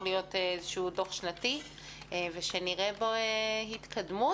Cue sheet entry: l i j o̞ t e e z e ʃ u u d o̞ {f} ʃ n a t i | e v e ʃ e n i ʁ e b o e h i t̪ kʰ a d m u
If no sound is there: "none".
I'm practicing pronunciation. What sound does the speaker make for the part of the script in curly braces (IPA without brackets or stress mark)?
χ